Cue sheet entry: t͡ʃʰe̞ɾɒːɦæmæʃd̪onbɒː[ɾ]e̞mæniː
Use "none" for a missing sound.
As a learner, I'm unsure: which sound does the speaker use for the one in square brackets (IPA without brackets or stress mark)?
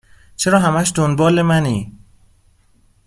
l